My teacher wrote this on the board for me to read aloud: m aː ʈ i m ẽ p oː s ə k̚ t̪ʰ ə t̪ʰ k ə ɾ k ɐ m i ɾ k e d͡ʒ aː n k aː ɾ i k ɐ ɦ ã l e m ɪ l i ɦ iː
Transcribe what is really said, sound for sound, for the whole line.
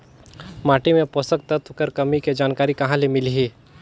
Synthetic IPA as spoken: m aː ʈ i m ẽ p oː s ə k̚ t̪ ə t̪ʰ k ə ɾ k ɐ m i k e d͡ʒ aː n k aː ɾ i k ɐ ɦ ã l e m ɪ l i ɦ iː